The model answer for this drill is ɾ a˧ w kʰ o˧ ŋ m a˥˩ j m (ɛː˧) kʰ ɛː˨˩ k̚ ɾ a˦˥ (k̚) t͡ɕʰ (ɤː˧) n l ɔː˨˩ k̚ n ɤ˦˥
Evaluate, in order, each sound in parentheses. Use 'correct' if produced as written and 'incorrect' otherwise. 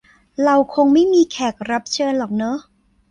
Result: incorrect, incorrect, correct

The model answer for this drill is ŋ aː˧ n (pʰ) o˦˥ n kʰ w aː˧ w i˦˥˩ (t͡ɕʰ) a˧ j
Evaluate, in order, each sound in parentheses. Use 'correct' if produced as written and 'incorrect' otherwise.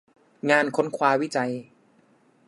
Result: incorrect, incorrect

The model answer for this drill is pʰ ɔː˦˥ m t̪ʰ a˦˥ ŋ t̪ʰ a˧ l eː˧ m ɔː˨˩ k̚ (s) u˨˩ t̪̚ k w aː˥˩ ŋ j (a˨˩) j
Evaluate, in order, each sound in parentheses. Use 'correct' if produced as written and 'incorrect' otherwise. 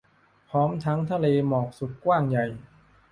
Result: correct, correct

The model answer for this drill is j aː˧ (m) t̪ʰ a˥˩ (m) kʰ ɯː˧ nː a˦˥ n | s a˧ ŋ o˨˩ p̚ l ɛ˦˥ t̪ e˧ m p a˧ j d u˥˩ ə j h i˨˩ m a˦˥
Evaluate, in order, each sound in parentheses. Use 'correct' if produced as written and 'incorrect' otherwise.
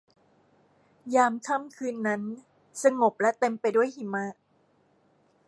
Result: correct, correct

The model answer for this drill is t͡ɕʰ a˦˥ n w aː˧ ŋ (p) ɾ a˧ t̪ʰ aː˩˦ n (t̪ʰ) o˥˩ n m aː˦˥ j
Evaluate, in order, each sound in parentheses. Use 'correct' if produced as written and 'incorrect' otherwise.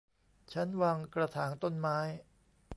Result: incorrect, incorrect

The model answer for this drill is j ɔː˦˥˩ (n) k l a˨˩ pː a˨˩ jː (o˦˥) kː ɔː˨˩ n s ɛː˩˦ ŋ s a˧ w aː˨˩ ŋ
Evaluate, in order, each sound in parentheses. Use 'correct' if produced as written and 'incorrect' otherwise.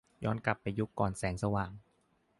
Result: correct, incorrect

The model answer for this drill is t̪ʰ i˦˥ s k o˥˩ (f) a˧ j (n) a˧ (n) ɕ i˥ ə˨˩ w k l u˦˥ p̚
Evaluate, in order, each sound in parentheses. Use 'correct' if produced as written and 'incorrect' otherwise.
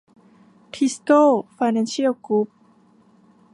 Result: correct, correct, correct

